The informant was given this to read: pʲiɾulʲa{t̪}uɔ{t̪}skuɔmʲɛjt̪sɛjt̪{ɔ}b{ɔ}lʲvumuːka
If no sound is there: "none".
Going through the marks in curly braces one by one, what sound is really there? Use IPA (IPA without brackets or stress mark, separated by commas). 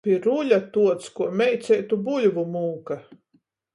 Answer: t̪, t̪, u, u